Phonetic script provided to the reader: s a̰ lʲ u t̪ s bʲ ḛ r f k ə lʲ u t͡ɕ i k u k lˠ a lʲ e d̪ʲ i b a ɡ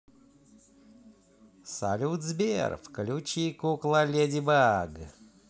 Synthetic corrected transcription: s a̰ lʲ u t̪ z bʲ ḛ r f k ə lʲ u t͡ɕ i k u k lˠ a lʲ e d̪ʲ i b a ɡ